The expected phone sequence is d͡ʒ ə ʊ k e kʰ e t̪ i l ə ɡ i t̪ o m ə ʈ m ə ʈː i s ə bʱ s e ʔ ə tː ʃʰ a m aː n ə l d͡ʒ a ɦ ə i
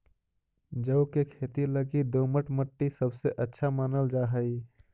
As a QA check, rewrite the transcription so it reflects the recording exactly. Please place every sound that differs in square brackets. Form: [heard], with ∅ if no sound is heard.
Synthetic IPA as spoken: d͡ʒ ə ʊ k e kʰ e t̪ i l ə ɡ i [d̪] o m ə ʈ m ə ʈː i s ə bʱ s e ʔ ə tː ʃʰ a m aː n ə l d͡ʒ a ɦ ə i